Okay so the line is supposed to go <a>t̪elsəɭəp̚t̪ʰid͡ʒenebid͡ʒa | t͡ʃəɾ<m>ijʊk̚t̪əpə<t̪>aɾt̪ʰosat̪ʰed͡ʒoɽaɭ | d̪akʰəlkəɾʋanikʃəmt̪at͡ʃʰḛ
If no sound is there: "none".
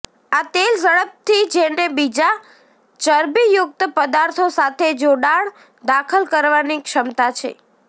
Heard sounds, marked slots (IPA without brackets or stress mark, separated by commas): a, b, d̪